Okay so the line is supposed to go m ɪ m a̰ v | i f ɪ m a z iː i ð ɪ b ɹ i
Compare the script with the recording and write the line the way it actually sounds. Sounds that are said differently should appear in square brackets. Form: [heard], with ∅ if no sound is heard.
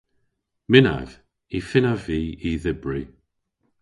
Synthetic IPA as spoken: m ɪ [n] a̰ v | i f ɪ [n] a [v] iː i ð ɪ b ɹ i